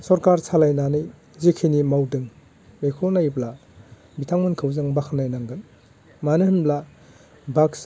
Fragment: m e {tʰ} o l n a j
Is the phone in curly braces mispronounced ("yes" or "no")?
yes